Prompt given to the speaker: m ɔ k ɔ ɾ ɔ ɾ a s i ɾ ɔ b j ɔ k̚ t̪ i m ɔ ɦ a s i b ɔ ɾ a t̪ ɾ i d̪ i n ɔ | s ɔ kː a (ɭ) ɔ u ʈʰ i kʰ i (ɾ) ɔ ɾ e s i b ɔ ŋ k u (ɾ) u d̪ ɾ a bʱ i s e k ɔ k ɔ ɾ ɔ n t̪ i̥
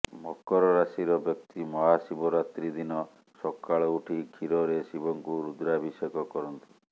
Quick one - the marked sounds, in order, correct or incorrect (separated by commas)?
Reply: correct, correct, correct